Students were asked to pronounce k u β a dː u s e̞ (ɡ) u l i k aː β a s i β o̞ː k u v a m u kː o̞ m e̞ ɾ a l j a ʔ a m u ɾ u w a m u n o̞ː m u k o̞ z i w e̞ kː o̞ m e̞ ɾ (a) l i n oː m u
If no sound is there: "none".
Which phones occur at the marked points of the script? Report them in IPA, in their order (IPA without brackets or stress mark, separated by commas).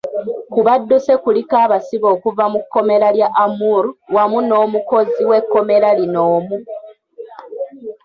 k, a